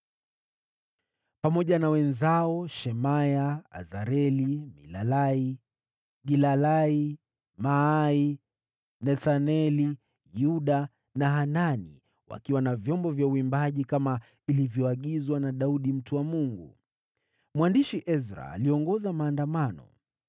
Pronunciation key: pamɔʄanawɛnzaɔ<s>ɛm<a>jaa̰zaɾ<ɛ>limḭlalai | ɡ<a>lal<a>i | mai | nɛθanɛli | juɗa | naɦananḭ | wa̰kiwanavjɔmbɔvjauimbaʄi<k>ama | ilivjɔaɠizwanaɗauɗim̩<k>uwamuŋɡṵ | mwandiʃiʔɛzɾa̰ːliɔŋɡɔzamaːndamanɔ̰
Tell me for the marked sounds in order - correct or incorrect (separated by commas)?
incorrect, correct, correct, incorrect, correct, correct, incorrect